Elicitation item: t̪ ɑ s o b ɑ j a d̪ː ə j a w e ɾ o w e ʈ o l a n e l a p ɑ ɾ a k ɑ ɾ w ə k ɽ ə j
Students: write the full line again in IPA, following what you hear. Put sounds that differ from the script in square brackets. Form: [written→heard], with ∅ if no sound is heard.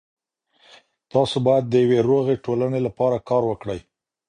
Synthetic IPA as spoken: t̪ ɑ s o b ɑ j a d̪ː ə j a w e ɾ o [w→ɣ] e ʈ o l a n e l a p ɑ ɾ a k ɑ ɾ w ə k ɽ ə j